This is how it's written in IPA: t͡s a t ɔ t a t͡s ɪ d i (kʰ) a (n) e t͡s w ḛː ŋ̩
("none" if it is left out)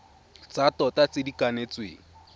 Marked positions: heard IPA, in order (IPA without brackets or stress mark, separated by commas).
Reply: k, n